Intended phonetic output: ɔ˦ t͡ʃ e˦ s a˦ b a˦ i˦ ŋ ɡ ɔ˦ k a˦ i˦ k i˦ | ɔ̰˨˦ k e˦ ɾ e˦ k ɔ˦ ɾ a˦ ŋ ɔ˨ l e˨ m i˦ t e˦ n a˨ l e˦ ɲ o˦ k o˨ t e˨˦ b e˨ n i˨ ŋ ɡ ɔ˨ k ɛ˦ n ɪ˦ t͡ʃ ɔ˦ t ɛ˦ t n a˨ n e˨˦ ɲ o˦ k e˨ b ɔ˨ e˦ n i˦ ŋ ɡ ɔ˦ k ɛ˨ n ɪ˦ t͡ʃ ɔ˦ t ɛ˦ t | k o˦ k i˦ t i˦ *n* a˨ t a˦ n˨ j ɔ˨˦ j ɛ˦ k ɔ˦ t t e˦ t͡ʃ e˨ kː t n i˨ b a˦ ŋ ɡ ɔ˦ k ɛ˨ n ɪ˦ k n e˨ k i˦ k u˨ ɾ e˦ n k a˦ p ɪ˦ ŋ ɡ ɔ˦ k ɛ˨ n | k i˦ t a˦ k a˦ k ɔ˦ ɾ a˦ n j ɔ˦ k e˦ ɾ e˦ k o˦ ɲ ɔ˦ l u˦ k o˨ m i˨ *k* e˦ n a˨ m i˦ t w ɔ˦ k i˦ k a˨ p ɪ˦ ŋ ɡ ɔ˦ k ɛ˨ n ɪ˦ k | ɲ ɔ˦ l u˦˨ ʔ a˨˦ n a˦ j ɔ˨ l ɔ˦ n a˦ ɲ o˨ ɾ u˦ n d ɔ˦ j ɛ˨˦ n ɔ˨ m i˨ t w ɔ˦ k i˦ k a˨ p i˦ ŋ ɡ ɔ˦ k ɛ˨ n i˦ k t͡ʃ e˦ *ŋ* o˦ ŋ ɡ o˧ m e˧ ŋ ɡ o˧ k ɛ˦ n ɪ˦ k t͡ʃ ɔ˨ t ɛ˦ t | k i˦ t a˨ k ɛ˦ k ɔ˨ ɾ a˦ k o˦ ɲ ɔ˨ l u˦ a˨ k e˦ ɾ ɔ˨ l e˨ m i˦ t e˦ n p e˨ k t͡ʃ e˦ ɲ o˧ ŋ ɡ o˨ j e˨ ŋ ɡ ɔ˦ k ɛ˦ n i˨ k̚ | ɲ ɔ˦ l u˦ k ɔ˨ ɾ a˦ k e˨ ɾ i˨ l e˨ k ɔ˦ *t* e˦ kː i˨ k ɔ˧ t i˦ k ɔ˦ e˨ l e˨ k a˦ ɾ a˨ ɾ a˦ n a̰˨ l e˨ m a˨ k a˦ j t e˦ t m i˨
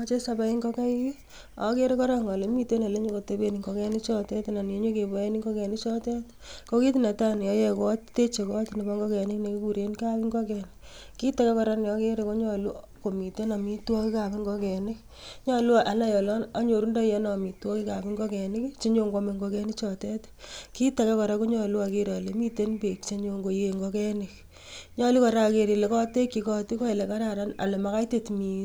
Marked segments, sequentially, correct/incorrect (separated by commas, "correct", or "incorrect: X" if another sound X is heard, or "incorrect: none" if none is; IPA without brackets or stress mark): correct, incorrect: t, incorrect: ɲ, correct